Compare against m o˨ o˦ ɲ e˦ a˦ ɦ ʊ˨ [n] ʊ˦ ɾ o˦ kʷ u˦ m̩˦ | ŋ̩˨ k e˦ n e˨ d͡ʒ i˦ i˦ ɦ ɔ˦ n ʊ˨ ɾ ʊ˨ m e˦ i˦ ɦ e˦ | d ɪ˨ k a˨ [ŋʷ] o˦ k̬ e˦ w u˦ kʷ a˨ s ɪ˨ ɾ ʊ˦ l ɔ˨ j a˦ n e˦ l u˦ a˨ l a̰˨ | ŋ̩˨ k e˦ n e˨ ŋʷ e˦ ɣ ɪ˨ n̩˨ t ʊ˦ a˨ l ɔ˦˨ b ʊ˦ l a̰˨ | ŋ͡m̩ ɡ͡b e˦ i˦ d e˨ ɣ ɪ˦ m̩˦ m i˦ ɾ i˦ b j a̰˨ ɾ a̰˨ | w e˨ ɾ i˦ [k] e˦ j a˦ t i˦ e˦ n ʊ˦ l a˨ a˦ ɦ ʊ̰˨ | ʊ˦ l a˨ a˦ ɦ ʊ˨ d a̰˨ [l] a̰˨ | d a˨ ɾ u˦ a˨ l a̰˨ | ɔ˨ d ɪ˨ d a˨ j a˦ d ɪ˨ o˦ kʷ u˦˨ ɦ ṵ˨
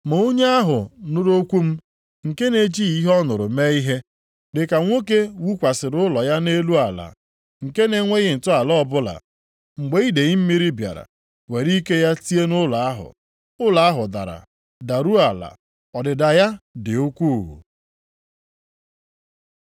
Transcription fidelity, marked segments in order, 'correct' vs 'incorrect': correct, correct, correct, incorrect

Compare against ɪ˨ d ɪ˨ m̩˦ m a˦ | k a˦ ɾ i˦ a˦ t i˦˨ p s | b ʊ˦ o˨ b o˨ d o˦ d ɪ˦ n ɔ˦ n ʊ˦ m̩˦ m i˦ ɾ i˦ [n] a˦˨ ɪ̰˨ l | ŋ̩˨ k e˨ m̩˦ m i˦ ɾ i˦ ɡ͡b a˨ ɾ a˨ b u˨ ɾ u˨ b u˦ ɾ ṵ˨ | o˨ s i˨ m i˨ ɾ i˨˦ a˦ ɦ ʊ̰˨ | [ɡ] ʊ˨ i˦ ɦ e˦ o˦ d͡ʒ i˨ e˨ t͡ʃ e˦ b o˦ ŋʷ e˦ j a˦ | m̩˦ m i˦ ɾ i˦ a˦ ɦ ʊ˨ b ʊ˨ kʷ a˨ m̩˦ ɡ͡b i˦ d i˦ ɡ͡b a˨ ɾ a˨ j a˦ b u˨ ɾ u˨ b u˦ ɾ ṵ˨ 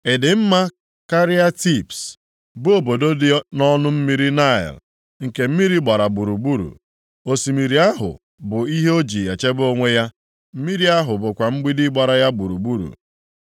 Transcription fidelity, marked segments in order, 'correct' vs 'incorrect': correct, incorrect

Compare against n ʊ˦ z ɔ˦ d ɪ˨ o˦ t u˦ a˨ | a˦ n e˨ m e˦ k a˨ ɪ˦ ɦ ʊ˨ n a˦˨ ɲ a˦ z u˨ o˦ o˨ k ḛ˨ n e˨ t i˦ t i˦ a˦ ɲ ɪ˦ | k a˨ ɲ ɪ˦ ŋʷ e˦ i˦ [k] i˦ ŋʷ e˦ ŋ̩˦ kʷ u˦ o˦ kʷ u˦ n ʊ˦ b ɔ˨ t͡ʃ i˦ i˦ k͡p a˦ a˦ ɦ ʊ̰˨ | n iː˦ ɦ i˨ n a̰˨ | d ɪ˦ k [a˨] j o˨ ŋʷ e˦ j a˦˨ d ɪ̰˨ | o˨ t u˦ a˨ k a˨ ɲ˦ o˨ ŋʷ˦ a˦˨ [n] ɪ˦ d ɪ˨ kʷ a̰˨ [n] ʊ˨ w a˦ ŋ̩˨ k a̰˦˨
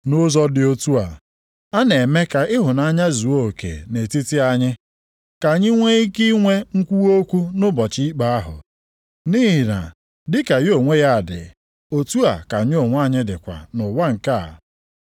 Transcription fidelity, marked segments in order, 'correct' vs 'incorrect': correct, correct, incorrect, correct

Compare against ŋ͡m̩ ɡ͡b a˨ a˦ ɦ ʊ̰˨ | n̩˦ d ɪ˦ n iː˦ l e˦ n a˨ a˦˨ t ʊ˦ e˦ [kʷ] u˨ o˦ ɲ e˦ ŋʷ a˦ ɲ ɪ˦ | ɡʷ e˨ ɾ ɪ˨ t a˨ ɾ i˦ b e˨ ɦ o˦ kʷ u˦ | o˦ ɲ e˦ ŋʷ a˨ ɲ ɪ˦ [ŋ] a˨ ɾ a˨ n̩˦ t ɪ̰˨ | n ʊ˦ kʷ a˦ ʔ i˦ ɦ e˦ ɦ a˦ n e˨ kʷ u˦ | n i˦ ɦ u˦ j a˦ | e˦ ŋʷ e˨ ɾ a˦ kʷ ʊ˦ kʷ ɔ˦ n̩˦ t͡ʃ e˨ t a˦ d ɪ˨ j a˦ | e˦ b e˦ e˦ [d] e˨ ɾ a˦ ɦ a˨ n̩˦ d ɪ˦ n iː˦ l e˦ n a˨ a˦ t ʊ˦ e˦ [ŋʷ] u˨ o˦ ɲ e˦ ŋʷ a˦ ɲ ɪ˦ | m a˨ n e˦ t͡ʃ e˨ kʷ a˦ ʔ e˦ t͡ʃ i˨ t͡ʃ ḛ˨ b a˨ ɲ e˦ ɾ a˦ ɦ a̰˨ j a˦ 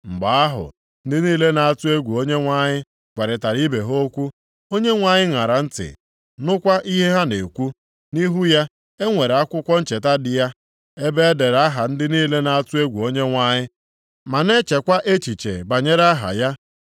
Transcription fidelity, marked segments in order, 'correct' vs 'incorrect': incorrect, correct, correct, incorrect

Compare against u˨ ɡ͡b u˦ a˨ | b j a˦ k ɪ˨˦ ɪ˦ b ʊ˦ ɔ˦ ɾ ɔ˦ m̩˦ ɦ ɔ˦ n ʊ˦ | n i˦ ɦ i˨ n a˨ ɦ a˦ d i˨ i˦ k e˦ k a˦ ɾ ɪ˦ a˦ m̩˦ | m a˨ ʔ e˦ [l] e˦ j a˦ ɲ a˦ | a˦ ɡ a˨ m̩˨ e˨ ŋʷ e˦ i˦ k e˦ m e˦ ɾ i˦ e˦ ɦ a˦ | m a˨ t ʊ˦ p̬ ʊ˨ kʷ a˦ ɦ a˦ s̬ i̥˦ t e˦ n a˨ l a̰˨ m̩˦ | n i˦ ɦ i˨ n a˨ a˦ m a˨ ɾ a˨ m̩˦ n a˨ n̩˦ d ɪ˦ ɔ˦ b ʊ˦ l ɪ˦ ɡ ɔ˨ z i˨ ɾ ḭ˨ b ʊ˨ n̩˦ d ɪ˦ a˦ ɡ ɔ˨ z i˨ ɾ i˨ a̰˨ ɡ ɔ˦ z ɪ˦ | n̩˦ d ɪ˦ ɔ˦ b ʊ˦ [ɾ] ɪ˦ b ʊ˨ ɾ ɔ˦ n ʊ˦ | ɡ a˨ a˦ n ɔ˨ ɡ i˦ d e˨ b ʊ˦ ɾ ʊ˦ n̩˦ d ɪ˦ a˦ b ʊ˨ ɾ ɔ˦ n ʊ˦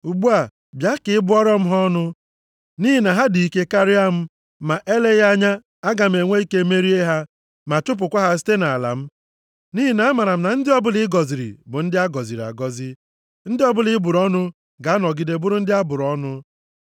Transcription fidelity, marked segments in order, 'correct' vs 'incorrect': correct, incorrect

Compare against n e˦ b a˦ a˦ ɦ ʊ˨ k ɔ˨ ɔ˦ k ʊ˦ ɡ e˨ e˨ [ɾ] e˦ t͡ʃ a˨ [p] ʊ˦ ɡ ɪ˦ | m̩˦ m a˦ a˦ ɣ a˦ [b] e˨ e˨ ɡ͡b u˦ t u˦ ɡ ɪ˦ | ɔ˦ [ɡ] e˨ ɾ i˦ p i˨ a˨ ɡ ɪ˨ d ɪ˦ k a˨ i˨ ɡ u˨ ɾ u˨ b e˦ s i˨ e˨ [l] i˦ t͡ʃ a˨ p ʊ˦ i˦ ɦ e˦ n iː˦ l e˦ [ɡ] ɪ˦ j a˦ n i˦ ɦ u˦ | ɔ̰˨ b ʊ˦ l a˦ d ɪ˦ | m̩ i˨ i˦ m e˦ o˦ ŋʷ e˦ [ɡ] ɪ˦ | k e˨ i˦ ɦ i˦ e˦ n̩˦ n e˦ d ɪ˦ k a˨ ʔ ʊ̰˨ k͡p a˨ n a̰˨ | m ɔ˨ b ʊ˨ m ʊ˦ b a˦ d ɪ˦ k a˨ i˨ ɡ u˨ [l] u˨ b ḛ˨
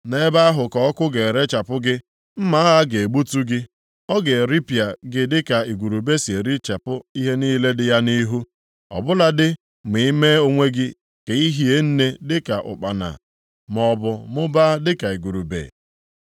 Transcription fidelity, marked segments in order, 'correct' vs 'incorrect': correct, correct, incorrect, correct, incorrect, incorrect, correct, incorrect

